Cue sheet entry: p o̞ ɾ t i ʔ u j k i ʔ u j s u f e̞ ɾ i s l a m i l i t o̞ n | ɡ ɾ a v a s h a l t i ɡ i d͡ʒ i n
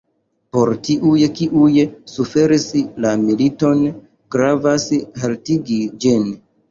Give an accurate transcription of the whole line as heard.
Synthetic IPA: p o̞ ɾ t i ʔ u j k i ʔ u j s u f e̞ ɾ i s l a m i l i t o̞ n | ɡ ɾ a v a s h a l t i ɡ i d͡ʒ i n